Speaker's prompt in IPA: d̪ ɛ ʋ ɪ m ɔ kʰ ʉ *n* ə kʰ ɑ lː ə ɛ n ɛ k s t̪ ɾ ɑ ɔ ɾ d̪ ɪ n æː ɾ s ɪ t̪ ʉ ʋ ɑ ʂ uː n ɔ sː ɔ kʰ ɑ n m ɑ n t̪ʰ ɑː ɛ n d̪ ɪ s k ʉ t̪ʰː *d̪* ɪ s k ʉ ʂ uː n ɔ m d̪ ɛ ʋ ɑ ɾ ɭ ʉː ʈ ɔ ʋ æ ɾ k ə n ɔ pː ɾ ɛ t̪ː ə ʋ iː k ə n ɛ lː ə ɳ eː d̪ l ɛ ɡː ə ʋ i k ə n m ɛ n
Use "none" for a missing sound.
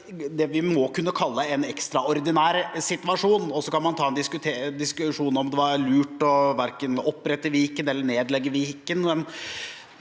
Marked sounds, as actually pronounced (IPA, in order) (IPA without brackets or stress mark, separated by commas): nː, d̪